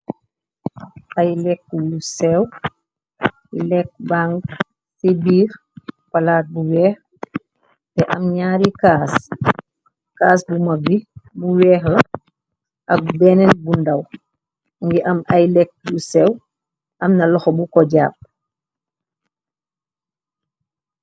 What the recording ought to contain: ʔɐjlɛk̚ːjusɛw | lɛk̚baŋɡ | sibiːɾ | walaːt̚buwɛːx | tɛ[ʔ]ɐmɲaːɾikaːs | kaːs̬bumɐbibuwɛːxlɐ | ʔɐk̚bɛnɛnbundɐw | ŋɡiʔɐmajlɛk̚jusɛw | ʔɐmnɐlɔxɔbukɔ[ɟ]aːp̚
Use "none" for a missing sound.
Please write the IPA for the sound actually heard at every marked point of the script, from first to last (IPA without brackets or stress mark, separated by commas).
ʔ, ɟ